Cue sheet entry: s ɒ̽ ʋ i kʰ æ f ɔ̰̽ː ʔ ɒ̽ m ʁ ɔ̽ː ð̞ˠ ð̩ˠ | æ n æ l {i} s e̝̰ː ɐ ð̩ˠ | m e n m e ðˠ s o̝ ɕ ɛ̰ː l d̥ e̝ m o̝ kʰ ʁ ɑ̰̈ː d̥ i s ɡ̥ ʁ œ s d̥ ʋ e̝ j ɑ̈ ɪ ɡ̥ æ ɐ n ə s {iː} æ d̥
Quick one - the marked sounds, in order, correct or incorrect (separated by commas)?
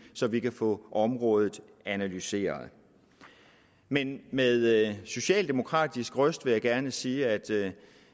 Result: incorrect, correct